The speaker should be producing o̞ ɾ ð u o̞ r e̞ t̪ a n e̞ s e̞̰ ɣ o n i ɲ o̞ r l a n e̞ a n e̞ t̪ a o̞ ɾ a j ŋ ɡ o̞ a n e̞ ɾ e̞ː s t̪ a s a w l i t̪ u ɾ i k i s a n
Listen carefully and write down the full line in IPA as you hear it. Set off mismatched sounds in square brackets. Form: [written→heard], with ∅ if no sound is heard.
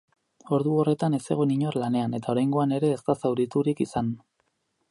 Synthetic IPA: o̞ ɾ ð u o̞ r e̞ t̪ a n e̞ s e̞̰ ɣ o n i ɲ o̞ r l a n e̞ a n e̞ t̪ a o̞ ɾ a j ŋ ɡ o̞ a n e̞ ɾ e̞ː s t̪ a s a w [l→ɾ] i t̪ u ɾ i k i s a n